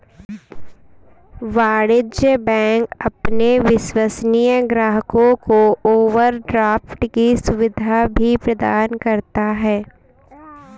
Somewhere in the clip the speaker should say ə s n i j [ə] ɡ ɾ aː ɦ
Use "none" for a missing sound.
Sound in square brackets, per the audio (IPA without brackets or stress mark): ə